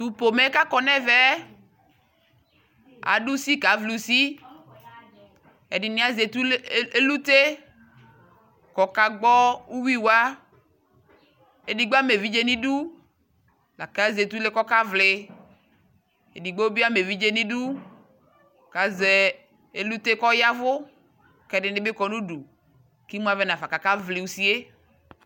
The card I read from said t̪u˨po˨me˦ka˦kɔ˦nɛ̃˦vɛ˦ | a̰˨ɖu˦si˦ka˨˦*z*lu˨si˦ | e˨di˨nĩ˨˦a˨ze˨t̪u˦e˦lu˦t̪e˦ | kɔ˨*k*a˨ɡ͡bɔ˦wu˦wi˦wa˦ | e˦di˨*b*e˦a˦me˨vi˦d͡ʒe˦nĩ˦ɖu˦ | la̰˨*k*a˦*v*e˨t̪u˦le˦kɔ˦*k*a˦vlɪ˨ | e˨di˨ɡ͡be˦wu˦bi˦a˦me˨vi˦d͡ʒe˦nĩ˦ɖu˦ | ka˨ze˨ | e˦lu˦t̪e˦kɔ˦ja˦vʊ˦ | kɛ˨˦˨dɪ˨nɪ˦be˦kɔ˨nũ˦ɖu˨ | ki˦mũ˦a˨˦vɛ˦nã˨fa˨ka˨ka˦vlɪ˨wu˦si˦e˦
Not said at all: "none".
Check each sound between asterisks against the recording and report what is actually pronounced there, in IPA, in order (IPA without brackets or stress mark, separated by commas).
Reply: v, k, ɡ͡b, k, z, k